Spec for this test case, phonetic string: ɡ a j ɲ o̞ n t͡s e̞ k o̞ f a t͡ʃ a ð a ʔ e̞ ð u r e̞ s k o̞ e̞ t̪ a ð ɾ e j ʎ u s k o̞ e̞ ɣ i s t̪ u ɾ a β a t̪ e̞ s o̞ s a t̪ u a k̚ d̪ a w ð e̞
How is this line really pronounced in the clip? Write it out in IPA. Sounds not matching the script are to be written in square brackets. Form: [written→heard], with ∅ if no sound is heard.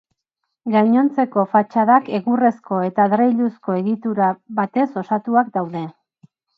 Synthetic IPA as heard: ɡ a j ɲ o̞ n t͡s e̞ k o̞ f a t͡ʃ a ð a [ʔ→k] e̞ [ð→ɣ] u r e̞ s k o̞ e̞ t̪ a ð ɾ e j ʎ u s k o̞ e̞ ɣ i [s→∅] t̪ u ɾ a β a t̪ e̞ s o̞ s a t̪ u a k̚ d̪ a w ð e̞